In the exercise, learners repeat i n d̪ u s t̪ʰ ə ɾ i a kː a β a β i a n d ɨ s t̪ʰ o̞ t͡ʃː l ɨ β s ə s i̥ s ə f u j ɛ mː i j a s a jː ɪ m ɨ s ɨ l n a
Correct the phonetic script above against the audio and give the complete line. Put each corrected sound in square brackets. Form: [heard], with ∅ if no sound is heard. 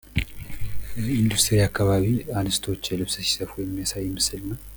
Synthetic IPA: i n d̪ u s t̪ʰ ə ɾ i a kː a β a β i a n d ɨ s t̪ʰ o̞ t͡ʃː l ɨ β s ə s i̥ s ə f u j ɛ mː i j a s a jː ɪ m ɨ s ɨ l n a